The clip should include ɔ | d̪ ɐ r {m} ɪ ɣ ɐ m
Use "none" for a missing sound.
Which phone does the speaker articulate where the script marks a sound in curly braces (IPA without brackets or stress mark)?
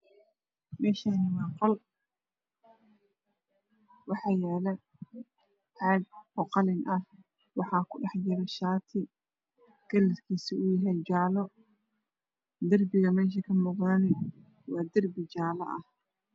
b